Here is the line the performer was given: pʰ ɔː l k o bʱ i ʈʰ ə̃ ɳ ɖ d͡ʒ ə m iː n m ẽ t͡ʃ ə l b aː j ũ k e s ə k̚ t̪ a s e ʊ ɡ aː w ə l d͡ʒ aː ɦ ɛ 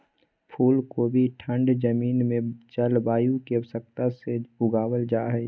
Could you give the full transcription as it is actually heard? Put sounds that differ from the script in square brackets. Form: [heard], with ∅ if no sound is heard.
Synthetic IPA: pʰ [uː] l k o bʱ i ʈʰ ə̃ ɳ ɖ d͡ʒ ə m iː n m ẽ t͡ʃ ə l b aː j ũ k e s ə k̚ t̪ a s e ʊ ɡ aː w ə l d͡ʒ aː ɦ ɛ